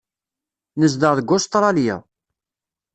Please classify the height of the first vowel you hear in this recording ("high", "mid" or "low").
mid